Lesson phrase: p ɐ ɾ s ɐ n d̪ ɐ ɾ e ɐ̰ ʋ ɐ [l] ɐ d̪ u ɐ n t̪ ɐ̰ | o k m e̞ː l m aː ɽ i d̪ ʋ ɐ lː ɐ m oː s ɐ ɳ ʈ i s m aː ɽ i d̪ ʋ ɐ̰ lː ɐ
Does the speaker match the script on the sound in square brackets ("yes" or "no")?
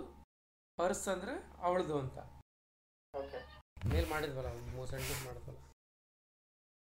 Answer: no